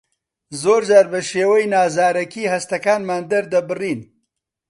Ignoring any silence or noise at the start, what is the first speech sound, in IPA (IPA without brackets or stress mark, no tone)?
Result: z